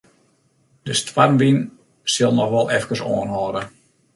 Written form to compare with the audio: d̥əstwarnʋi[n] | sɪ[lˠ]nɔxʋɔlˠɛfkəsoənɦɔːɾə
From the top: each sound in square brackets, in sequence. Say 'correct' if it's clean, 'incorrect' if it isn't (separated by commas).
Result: correct, correct